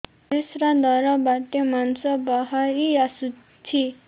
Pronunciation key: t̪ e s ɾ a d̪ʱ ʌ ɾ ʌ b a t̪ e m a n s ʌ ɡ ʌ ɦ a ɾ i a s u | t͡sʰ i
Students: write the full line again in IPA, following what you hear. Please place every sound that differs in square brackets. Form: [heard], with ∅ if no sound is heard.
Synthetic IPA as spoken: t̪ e s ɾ a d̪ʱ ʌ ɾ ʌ b a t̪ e m a n s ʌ [b] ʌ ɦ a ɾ i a s u | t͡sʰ i